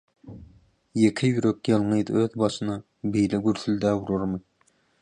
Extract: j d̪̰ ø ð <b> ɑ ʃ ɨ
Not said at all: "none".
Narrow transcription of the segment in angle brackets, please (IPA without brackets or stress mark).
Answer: b